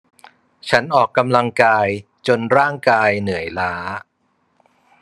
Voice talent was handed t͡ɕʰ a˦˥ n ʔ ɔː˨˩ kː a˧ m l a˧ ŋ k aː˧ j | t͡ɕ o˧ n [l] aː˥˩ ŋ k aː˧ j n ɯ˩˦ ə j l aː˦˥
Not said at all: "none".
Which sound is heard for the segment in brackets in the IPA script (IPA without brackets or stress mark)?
ɾ